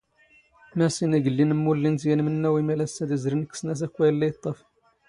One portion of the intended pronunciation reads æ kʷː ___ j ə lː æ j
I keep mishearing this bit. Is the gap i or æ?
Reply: æ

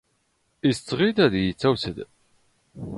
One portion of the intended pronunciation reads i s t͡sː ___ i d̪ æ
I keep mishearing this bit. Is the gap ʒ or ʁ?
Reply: ʁ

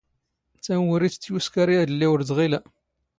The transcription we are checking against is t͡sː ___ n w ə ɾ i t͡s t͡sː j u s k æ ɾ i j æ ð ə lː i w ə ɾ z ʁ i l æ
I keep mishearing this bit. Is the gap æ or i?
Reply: æ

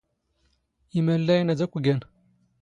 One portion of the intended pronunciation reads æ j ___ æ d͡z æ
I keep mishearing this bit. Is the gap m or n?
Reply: n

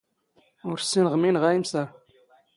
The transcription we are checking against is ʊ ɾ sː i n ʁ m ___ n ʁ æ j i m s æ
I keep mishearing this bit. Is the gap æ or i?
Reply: i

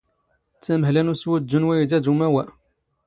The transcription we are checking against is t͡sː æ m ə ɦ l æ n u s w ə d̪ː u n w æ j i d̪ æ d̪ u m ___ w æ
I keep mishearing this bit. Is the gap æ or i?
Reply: æ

